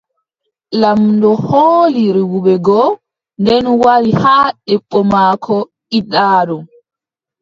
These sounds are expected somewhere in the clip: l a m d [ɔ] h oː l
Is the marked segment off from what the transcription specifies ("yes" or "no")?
no